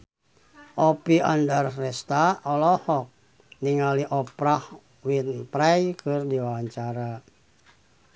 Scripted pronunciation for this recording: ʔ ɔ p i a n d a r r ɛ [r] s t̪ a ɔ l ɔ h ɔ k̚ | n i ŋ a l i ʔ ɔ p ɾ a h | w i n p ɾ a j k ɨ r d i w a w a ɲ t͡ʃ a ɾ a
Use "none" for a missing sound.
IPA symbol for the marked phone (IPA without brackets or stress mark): none